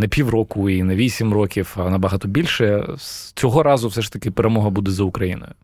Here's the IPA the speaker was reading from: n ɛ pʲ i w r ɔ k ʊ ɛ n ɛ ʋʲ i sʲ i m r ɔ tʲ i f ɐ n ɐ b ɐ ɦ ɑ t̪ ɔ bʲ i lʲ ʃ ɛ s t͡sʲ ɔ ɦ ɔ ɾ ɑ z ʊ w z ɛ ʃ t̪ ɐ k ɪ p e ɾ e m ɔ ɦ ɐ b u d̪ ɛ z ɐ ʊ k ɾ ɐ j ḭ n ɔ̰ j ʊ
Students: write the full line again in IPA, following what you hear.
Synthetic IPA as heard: n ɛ pʲ i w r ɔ k ʊ i n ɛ ʋʲ i sʲ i m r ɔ kʲ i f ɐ n ɐ b ɐ ɦ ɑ t̪ ɔ bʲ i lʲ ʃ ɛ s t͡sʲ ɔ ɦ ɔ ɾ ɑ z ʊ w s ɛ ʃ t̪ ɐ k ɪ p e ɾ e m ɔ ɦ ɐ b u d̪ ɛ z ɐ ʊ k ɾ ɐ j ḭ n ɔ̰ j ʊ